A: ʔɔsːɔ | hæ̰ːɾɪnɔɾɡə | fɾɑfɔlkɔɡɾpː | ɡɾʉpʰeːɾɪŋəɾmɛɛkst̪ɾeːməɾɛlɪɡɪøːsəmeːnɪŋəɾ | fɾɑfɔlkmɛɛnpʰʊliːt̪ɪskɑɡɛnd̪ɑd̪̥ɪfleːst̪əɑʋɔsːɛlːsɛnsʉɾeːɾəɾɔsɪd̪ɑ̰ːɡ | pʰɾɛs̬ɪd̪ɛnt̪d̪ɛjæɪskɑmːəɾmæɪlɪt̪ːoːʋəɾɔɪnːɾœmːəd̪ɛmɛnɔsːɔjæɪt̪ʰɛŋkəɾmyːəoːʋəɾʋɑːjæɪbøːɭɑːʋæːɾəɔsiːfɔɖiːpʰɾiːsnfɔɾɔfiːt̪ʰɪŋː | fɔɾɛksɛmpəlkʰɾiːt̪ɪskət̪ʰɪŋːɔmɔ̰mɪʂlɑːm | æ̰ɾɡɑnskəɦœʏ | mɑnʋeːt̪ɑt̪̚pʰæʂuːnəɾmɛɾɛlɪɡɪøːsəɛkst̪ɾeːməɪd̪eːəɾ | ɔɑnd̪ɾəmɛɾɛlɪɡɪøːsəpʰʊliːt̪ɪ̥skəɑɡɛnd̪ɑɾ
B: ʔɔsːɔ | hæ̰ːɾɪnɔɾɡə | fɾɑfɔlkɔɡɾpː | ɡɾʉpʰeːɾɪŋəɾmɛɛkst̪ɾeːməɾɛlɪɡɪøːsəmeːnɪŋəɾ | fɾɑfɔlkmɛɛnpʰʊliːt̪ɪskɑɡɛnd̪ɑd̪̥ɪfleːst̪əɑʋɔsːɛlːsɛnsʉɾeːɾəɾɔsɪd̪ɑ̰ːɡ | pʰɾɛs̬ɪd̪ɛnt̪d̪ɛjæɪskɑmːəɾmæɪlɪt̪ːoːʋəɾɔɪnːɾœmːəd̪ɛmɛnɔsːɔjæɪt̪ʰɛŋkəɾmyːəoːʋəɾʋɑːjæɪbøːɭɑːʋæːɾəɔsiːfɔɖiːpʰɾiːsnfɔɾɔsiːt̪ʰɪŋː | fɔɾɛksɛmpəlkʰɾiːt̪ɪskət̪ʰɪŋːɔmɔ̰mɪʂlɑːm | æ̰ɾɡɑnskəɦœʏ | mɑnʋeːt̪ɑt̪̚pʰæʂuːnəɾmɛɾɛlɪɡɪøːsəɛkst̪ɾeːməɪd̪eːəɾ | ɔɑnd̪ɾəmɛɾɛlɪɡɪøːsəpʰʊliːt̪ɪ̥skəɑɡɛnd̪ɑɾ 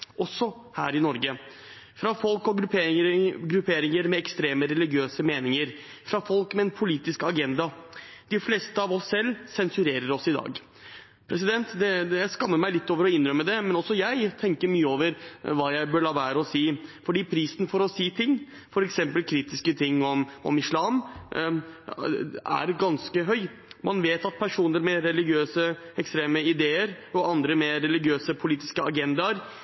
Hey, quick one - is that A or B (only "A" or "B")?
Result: B